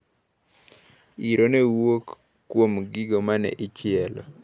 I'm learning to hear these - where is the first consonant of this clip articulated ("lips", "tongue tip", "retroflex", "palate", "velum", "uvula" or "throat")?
tongue tip